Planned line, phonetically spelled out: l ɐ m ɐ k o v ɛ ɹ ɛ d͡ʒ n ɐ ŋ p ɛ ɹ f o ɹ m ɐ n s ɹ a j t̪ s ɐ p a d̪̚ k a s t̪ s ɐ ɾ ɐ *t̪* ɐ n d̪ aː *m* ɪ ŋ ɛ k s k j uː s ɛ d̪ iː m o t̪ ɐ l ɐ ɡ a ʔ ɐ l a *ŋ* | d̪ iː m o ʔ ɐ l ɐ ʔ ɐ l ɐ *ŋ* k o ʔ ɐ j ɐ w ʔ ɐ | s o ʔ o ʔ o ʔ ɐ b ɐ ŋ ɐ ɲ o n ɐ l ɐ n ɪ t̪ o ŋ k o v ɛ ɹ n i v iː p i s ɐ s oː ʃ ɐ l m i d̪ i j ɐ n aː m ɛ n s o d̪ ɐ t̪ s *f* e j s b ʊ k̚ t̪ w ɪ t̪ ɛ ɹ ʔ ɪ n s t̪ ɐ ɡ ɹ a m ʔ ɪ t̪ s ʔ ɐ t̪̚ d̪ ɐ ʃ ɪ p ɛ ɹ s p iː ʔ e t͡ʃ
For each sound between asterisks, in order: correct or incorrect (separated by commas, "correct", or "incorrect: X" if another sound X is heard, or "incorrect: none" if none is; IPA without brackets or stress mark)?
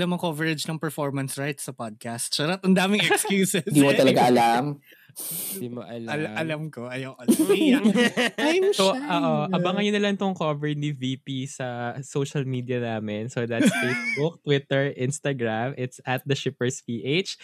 correct, correct, incorrect: m, incorrect: m, correct